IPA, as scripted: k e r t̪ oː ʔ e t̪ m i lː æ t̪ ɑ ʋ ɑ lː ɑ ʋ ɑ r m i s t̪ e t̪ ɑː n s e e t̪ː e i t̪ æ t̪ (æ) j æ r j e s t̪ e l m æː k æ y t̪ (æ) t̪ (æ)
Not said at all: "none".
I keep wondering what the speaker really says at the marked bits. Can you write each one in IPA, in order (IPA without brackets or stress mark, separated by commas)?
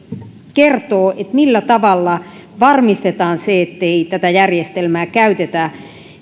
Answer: æ, e, æ